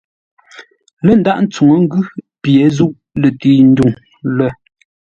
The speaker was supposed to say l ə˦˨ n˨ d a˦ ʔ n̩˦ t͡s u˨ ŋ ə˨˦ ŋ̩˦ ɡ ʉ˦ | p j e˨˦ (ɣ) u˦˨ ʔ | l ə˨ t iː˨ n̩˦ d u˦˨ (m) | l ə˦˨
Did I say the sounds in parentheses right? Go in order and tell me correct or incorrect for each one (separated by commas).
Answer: incorrect, incorrect